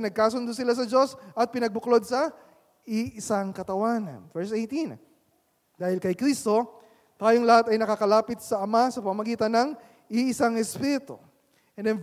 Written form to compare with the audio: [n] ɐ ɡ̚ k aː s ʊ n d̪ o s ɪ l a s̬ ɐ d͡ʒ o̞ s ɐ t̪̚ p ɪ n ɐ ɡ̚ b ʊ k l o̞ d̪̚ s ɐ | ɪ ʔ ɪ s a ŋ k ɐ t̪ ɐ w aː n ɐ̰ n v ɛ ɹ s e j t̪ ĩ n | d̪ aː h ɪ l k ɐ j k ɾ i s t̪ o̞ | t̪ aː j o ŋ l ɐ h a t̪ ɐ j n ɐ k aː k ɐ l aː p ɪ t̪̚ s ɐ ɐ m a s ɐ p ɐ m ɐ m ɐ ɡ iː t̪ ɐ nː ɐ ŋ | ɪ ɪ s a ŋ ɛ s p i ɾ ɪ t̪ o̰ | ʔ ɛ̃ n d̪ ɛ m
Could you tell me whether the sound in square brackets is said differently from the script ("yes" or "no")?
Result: no